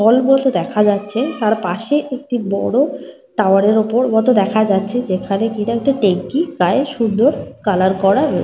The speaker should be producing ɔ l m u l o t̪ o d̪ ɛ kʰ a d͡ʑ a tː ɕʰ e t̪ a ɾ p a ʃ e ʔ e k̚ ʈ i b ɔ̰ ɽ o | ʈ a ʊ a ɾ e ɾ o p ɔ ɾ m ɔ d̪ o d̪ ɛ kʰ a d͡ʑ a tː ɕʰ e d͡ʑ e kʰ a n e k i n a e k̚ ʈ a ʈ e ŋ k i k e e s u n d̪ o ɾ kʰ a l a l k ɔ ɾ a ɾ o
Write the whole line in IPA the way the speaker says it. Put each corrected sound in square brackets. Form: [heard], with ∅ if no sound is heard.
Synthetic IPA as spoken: ɔ l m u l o t̪ o d̪ ɛ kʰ a d͡ʑ a tː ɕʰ e t̪ a ɾ p a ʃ e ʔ e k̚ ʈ i b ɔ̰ ɽ o | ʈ a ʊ a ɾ e ɾ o p [o] ɾ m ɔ [t̪] o d̪ ɛ kʰ a d͡ʑ a tː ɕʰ e d͡ʑ e kʰ a n e k i n a e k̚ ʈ a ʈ e ŋ k i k [a] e [ʃ] u n d̪ o ɾ [k] a l a [ɾ] k ɔ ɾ a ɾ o